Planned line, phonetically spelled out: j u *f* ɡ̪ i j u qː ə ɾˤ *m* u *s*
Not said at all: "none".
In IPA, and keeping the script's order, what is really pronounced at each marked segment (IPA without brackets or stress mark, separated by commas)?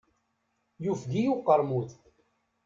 f, m, θ